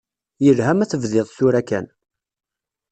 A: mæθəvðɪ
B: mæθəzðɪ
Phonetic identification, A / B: A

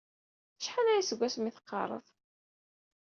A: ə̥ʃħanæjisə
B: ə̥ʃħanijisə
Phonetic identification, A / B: A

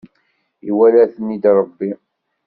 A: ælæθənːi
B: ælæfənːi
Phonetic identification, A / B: A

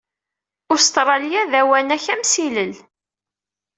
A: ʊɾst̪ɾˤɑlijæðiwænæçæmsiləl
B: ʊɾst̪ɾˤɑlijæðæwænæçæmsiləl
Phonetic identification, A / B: B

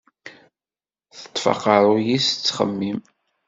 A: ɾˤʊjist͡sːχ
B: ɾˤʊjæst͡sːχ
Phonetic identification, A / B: A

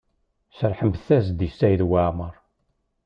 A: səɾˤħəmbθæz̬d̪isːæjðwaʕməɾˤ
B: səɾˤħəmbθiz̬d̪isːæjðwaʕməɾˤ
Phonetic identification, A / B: A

